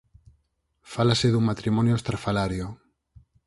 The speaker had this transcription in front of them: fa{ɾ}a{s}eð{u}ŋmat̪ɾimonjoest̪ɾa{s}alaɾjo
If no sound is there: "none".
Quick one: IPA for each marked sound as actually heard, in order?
l, s, u, f

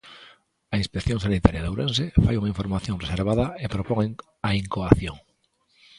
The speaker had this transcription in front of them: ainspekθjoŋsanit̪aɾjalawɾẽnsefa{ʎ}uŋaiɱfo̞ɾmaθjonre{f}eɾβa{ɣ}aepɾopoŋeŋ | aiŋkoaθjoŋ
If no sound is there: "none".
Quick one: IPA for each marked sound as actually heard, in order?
j, s, ð

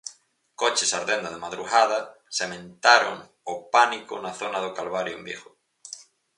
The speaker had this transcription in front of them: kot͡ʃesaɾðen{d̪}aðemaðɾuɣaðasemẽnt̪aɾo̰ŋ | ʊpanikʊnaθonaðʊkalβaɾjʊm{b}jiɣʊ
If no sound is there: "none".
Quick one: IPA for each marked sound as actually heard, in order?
d̪, b

